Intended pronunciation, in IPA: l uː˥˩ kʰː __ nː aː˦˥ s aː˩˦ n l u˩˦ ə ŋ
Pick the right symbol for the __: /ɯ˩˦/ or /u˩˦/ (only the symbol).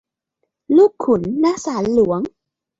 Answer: u˩˦